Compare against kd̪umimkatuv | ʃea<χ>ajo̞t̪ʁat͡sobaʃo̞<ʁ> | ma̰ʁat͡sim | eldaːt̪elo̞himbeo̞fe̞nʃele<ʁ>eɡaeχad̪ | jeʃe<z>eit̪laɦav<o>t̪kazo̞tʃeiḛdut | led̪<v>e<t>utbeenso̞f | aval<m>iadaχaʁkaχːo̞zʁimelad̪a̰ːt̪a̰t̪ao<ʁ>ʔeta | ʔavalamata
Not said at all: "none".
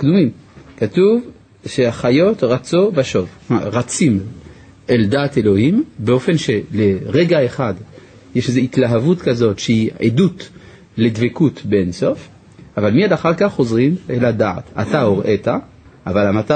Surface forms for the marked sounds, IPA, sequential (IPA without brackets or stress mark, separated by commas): χ, v, ʁ, z, u, v, k, m, ʁ